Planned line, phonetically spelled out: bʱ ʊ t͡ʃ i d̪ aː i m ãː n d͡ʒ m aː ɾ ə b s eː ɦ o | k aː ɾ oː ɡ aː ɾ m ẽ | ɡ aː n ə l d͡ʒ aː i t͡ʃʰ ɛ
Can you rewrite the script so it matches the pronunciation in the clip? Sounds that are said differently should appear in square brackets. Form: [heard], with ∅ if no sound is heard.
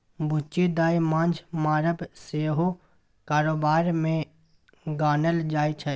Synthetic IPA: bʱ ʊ t͡ʃ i d̪ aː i m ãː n d͡ʒ m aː ɾ ə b s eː ɦ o | k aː ɾ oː [b] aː ɾ m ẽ | ɡ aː n ə l d͡ʒ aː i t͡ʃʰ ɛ

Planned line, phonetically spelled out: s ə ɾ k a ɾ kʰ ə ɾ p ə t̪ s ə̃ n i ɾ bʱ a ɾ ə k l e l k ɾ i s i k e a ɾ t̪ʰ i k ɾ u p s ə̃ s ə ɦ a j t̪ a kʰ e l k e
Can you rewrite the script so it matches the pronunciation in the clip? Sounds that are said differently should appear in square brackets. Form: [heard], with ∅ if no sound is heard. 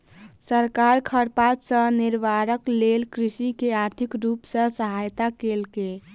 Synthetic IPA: s ə ɾ k a ɾ kʰ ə ɾ p [a] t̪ s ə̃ n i ɾ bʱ a ɾ ə k l e l k ɾ i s i k e a ɾ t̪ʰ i k ɾ u p s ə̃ s ə ɦ a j t̪ a [k] e l k e

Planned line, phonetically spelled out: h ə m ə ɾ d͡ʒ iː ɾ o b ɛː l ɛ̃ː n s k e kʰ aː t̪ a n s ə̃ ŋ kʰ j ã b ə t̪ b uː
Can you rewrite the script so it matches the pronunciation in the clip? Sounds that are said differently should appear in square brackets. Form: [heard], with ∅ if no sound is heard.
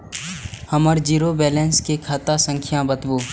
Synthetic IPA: h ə m ə ɾ d͡ʒ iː ɾ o b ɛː l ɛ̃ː n s k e kʰ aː t̪ a [∅] s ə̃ ŋ kʰ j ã b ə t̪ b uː

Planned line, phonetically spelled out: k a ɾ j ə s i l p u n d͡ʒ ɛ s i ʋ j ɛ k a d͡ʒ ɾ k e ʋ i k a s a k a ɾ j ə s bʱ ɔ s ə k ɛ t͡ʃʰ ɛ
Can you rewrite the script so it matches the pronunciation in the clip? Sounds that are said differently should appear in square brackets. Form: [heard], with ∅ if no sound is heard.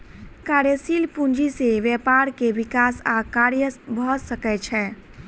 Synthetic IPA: k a ɾ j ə s i l p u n d͡ʒ [i] s [e] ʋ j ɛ [p] a [∅] ɾ k e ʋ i k a s a k a ɾ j ə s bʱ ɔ s ə k ɛ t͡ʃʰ ɛ

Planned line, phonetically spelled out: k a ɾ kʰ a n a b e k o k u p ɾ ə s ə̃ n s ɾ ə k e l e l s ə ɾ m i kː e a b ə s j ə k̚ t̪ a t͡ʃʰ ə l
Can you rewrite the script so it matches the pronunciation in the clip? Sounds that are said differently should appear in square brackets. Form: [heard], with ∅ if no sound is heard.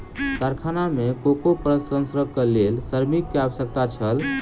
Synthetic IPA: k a ɾ kʰ a n a [m] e k o k [o] p ɾ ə s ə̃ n s ɾ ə k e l e l s ə ɾ m i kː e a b ə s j ə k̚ t̪ a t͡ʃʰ ə l

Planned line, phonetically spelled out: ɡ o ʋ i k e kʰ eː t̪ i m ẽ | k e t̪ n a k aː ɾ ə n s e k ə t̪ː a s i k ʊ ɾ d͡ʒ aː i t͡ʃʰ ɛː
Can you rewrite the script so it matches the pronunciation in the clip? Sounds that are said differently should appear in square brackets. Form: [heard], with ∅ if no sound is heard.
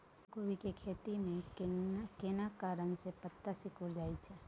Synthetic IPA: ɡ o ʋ i k e kʰ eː t̪ i m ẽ | k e [∅] n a k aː ɾ ə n s e [p] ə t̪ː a s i k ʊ ɾ d͡ʒ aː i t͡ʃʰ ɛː

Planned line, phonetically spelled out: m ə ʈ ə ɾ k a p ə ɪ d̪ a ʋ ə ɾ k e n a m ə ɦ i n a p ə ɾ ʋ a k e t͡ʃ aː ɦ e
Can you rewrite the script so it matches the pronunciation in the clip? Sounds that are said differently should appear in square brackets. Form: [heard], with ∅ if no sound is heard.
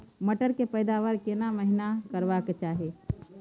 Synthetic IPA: m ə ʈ ə ɾ k [e] p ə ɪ d̪ a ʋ ə ɾ k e n a m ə ɦ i n a [k] ə ɾ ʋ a k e t͡ʃ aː ɦ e

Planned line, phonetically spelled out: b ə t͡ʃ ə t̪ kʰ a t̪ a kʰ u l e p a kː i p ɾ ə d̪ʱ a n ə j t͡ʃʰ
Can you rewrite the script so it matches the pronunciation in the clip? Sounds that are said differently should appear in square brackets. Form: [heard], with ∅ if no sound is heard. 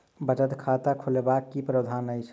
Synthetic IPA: b ə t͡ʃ ə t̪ kʰ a t̪ a kʰ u l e [b] a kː i p ɾ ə d̪ʱ a n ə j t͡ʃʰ

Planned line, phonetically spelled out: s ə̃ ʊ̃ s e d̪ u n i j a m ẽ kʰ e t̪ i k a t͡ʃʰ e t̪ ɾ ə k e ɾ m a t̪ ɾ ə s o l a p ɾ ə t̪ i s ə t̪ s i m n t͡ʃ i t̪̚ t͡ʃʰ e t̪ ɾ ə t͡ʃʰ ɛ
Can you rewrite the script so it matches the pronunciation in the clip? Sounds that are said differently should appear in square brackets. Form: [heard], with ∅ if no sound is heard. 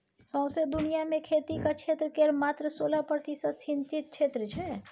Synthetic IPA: s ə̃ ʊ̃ s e d̪ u n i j a m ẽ kʰ e t̪ i k a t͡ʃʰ e t̪ ɾ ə k e ɾ m a t̪ ɾ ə s o l a p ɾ ə t̪ i s ə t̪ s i [∅] n t͡ʃ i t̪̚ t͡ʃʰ e t̪ ɾ ə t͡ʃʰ ɛ

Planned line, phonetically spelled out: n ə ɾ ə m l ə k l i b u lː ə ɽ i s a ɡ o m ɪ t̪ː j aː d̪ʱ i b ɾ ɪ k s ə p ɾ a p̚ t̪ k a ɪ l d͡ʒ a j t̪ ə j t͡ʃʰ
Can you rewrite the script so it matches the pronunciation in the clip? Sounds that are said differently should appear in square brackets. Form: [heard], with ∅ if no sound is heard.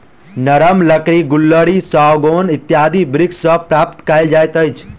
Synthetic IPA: n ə ɾ ə m l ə k [ɾ] i [ɡ] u lː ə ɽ i s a ɡ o [n] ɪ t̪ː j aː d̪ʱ i b ɾ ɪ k s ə p ɾ a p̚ t̪ k a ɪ l d͡ʒ a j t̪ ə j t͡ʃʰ

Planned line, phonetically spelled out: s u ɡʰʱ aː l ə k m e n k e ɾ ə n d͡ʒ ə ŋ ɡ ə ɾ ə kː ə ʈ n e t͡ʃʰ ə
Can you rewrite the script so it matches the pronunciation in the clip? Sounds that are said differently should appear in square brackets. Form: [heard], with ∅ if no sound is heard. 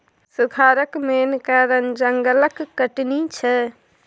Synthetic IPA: s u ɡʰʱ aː [ɾ] ə k m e n k [a] ɾ ə n d͡ʒ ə ŋ ɡ ə [l] ə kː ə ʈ n [i] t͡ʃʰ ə

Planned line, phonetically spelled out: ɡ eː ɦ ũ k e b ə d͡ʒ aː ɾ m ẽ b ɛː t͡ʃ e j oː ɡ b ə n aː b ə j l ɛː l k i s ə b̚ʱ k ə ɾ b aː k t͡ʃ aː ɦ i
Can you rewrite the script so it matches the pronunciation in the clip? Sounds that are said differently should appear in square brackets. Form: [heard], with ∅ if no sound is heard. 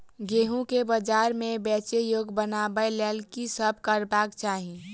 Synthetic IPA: ɡ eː ɦ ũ k e b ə d͡ʒ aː ɾ m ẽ b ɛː t͡ʃ e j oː ɡ b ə n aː b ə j l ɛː l k i s ə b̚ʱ k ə ɾ b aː k t͡ʃ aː ɦ i

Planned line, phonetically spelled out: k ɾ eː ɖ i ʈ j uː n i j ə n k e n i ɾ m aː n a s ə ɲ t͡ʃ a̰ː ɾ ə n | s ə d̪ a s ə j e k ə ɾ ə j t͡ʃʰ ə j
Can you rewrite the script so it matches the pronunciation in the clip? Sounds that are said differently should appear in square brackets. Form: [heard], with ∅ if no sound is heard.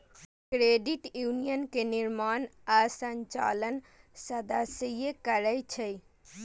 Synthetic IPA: k ɾ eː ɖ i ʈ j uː n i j ə n k e n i ɾ m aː n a s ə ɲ t͡ʃ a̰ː [l] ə n | s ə d̪ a s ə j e k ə ɾ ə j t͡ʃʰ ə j

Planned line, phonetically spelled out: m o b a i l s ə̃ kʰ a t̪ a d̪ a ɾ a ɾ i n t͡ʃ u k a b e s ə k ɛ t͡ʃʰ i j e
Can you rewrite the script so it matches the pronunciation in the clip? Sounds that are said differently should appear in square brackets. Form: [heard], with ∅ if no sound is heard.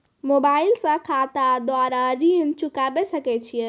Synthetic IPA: m o b a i l s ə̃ kʰ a t̪ a d̪ a ɾ a ɾ i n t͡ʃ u k a b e s ə k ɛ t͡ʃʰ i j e

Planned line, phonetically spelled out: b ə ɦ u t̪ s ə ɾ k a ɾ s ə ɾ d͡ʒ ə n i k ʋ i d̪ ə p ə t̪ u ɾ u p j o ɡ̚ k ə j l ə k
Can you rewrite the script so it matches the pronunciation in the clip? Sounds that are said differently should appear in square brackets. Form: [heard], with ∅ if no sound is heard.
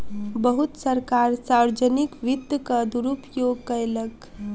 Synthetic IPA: b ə ɦ u t̪ s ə ɾ k a ɾ s [a] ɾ d͡ʒ ə n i k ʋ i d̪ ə [k] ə [d̪] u ɾ u p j o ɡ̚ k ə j l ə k

